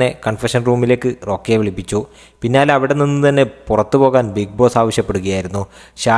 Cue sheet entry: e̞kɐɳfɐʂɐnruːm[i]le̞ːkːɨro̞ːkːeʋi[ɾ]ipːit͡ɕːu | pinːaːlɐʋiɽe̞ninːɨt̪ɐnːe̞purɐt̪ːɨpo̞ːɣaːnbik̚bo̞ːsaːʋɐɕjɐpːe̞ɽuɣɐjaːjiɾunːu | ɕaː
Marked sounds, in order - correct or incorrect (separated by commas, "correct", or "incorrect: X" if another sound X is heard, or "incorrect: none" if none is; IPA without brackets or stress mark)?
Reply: correct, incorrect: ɭ